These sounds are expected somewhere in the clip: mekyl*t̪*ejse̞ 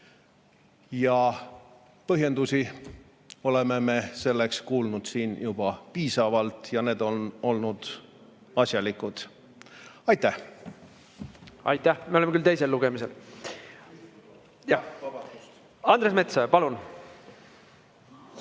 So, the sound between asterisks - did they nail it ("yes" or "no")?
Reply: yes